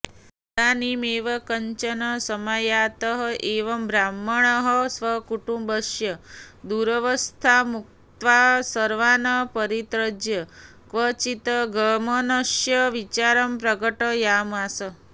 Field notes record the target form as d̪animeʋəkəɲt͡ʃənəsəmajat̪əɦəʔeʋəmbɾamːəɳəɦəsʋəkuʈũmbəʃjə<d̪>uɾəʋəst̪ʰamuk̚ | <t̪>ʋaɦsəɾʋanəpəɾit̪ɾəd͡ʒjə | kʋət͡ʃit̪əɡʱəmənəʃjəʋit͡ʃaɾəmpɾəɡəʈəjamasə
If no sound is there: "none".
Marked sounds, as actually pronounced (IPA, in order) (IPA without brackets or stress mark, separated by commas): d̪, t̪